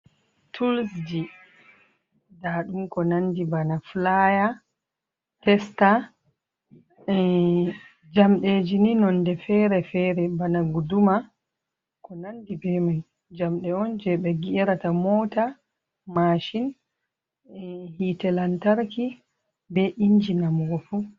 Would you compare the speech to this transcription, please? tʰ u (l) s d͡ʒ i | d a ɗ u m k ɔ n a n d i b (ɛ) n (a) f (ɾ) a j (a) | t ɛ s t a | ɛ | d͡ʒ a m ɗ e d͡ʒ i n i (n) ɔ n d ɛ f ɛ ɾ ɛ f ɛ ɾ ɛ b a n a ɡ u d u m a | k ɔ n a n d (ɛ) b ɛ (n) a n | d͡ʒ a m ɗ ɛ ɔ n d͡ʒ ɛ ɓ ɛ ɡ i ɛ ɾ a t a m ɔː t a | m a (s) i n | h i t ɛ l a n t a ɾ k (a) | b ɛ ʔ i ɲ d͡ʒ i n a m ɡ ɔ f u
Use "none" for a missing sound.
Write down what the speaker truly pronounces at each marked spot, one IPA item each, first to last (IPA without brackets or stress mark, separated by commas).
l, a, a, l, a, n, i, m, ʃ, i